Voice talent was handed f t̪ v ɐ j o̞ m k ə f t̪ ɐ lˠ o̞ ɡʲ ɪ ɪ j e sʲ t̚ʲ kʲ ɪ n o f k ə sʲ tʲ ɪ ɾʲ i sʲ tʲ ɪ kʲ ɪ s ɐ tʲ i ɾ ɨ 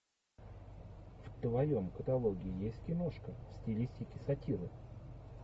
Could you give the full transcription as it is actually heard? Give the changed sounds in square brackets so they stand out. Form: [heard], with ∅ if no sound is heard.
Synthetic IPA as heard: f t̪ v ɐ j o̞ m k ə [∅] t̪ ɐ lˠ o̞ ɡʲ ɪ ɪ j e sʲ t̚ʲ kʲ ɪ n o [ʂ] k ə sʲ tʲ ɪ [lʲ] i sʲ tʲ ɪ kʲ ɪ s ɐ tʲ i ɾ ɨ